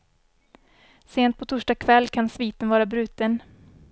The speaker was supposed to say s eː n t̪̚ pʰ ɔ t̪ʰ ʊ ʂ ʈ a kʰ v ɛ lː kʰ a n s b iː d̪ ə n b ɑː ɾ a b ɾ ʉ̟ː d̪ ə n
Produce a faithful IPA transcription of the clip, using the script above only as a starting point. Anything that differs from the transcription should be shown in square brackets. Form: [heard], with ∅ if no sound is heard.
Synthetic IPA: s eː n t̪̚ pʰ ɔ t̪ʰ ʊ ʂ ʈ a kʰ v ɛ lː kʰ a n s [v] iː [t̪] ə n [v] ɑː ɾ a b ɾ ʉ̟ː [t̪] ə n

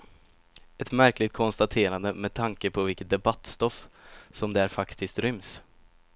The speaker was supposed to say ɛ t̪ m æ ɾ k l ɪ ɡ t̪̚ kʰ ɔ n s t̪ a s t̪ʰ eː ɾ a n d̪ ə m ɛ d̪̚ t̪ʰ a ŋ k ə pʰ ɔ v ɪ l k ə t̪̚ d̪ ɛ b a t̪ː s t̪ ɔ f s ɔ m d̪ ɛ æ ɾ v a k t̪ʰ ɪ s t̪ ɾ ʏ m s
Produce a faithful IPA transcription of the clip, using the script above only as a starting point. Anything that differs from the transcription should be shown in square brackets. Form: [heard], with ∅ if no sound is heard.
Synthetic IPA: ɛ t̪ m æ ɾ k l ɪ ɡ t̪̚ kʰ ɔ n s t̪ a [∅] t̪ʰ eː ɾ a n d̪ ə m ɛ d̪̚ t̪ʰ a ŋ k ə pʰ ɔ v ɪ l k ə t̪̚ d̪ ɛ b a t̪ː s t̪ ɔ f s ɔ m d̪ ɛ æ ɾ [f] a k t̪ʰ ɪ s t̪ ɾ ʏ m s

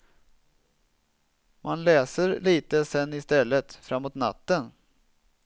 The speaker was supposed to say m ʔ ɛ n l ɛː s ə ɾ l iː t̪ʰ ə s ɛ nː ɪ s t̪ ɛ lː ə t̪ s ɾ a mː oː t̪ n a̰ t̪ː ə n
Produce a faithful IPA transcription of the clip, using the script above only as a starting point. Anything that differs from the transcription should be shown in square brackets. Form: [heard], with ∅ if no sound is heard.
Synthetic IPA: m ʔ [a] n l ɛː s ə ɾ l iː [t̪] ə s ɛ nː ɪ s t̪ ɛ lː ə t̪ [f] ɾ a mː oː t̪ n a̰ t̪ː ə n

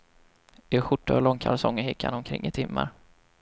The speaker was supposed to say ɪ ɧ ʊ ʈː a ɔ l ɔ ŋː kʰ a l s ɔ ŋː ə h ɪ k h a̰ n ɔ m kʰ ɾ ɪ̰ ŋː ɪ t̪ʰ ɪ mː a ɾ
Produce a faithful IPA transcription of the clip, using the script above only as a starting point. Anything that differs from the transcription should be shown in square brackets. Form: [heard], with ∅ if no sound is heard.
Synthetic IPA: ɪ ɧ ʊ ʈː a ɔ l ɔ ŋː kʰ a l s ɔ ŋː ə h ɪ k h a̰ n ɔ m kʰ ɾ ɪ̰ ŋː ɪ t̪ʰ ɪ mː a ɾ

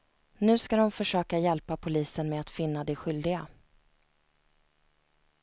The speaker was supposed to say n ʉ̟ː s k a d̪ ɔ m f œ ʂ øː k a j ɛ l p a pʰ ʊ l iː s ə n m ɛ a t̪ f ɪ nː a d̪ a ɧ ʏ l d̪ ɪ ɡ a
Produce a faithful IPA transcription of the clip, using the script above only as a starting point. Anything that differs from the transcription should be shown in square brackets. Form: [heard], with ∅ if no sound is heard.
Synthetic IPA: n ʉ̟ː s k a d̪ ɔ m f œ ʂ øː k a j ɛ l p a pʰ ʊ l iː s ə n m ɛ a t̪ f ɪ nː a d̪ [ɛ] ɧ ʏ l d̪ ɪ ɡ a

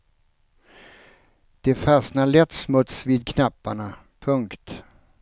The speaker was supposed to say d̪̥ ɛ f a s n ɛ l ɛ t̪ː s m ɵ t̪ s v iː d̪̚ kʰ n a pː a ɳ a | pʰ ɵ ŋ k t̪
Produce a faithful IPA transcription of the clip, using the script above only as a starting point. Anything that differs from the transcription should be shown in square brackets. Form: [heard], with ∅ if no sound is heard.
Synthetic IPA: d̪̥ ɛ f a s n [a] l ɛ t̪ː s m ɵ t̪ s v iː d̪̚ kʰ n a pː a ɳ a | pʰ ɵ ŋ k t̪

